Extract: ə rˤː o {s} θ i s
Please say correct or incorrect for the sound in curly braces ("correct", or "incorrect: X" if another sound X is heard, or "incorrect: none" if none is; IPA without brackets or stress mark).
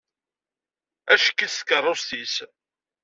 correct